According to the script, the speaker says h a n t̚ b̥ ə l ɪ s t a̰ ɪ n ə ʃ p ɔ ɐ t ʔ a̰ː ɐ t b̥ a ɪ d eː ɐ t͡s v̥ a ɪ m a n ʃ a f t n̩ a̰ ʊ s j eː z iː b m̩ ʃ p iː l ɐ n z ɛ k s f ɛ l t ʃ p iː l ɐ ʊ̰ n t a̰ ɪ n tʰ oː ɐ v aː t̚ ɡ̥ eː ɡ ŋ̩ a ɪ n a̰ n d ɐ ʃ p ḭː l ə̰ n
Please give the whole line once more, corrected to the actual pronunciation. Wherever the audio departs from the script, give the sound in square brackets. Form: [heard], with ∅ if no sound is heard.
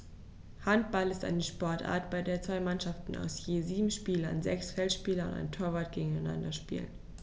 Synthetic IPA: h a n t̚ b̥ [a] l ɪ s t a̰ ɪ n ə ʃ p ɔ ɐ t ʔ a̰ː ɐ t b̥ a ɪ d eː ɐ t͡s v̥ a ɪ m a n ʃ a f t n̩ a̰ ʊ s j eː z iː b m̩ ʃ p iː l ɐ n z ɛ k s f ɛ l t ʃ p iː l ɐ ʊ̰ n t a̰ ɪ n tʰ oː ɐ v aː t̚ ɡ̥ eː ɡ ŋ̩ a ɪ n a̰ n d ɐ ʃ p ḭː l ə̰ n